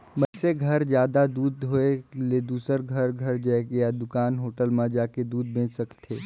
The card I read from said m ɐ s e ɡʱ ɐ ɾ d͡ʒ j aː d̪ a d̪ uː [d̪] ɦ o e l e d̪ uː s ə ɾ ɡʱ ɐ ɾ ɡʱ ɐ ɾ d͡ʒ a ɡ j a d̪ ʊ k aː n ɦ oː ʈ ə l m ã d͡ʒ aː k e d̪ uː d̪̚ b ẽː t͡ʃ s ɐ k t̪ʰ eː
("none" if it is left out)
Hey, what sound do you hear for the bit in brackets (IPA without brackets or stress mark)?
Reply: d̪